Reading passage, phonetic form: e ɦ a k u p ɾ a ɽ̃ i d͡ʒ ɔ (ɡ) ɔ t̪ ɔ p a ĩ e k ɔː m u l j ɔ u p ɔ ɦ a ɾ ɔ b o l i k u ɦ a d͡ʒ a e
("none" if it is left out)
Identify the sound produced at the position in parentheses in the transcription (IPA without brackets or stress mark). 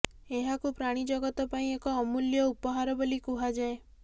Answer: ɡ